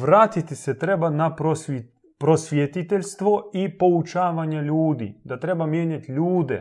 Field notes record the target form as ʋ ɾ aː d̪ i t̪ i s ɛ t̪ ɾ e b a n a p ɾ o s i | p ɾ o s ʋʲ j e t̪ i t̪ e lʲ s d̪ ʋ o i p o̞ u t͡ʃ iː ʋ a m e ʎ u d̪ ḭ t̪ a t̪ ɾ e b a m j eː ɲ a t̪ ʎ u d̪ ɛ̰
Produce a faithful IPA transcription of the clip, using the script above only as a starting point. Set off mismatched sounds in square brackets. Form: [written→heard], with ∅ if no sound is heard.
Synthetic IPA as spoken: ʋ ɾ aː [d̪→t̪] i t̪ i s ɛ t̪ ɾ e b a n a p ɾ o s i | p ɾ o s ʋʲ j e t̪ i t̪ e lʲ s [d̪→t̪] ʋ o i p o̞ u t͡ʃ [iː→aː] ʋ a [m→ɲ] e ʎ [u→uː] d̪ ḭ [t̪→d̪] a t̪ ɾ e b a m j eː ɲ a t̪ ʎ [u→uː] d̪ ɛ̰